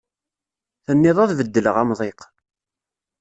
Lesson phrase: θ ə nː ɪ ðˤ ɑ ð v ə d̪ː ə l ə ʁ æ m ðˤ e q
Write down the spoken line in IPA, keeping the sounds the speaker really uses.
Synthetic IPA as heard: θ ə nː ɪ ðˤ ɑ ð v ə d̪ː ə l ə ʁ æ m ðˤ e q